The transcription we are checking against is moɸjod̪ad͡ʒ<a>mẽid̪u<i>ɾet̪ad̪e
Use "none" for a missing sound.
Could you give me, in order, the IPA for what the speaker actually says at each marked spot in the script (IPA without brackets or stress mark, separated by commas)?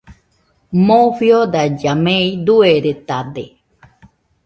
a, e